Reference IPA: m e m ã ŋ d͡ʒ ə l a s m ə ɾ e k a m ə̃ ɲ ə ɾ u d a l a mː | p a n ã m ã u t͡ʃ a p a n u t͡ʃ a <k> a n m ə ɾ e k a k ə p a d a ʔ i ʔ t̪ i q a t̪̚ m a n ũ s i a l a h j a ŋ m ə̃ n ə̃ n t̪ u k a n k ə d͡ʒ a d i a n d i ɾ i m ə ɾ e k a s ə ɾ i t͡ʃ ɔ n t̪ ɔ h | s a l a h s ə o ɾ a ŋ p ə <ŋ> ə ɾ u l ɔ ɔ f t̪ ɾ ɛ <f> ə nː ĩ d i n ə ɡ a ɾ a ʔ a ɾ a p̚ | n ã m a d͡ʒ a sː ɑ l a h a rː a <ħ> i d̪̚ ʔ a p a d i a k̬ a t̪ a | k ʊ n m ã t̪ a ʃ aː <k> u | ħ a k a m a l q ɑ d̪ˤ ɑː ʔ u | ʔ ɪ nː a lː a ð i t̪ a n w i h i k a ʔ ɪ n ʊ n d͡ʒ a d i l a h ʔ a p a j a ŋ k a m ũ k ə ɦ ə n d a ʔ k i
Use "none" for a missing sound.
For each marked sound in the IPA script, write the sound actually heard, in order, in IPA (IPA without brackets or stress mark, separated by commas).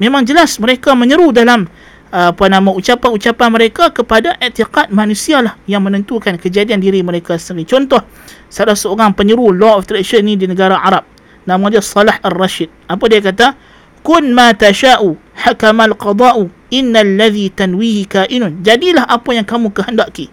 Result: p, ɲ, ʃ, ʃ, ʔ